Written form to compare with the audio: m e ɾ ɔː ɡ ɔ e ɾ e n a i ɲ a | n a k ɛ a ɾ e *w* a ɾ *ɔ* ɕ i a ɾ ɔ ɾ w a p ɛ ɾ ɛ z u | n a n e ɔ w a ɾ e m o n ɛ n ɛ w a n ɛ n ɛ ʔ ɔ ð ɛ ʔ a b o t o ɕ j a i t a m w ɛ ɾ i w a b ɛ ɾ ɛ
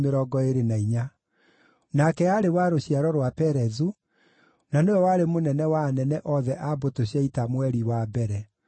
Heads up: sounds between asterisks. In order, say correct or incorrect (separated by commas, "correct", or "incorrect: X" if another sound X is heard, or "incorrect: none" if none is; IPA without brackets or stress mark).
correct, incorrect: o